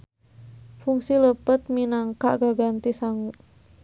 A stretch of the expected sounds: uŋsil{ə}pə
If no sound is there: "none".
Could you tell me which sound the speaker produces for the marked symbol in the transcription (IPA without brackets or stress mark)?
ə